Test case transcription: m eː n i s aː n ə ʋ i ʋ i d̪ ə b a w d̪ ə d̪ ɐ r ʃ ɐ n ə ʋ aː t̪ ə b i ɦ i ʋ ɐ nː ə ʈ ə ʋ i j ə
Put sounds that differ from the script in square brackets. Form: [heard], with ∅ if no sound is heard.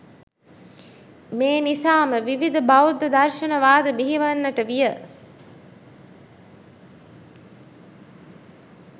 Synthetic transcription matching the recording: m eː n i s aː [m] ə ʋ i ʋ i d̪ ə b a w d̪ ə d̪ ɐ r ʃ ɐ n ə ʋ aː [d̪] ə b i ɦ i ʋ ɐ nː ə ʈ ə ʋ i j ə